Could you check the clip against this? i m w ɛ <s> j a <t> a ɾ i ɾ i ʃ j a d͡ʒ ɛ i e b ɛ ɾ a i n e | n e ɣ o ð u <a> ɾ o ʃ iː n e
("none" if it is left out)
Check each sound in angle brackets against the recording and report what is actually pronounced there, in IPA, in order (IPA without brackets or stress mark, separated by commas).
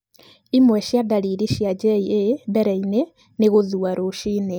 ʃ, d, a